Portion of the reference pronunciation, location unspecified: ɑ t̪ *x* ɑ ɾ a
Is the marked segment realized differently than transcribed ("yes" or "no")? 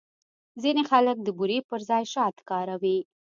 yes